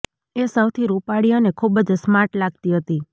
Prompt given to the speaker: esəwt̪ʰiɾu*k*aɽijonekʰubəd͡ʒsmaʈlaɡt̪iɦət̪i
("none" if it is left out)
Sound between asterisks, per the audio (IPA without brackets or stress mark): p